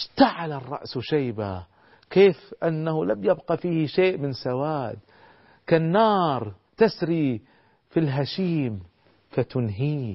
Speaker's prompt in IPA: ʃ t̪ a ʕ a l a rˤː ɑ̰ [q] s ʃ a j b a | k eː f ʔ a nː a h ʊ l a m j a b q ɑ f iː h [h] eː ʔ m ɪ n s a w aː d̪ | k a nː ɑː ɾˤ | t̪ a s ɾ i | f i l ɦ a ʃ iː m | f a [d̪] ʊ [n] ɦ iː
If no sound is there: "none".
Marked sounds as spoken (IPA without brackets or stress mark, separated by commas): ʔ, ʃ, t̪, n